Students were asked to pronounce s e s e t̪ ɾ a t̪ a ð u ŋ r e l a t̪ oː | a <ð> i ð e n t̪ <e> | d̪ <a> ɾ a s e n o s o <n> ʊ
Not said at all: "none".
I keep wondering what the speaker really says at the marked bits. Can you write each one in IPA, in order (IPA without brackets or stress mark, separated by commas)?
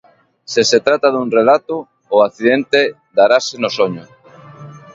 θ, e, a, ɲ